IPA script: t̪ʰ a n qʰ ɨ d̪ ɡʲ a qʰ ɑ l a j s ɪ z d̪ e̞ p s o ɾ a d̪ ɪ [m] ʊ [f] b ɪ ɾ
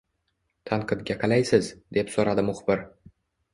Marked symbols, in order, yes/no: yes, no

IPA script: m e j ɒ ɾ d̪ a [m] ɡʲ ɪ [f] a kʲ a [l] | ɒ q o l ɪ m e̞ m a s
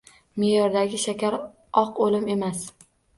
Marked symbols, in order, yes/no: no, no, no

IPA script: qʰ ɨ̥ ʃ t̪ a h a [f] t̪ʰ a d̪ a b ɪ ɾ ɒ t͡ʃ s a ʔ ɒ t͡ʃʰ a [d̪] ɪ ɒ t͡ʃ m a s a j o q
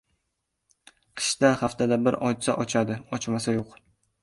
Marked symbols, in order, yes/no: yes, yes

